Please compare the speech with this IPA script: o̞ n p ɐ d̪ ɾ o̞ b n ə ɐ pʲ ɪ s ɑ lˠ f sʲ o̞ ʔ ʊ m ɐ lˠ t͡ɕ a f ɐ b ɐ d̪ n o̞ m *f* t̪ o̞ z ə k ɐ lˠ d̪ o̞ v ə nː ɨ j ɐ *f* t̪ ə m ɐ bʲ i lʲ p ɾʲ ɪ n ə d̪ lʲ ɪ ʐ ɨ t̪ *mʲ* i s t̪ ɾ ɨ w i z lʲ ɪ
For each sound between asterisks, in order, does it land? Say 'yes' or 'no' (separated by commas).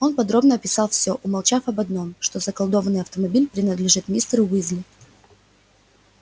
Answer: no, yes, yes